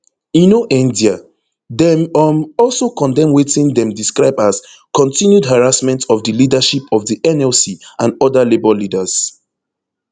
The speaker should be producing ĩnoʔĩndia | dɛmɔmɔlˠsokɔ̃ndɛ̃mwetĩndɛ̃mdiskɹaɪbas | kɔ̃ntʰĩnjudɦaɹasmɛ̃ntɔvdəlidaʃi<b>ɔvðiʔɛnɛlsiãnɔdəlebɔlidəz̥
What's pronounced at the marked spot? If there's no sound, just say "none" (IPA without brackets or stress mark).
p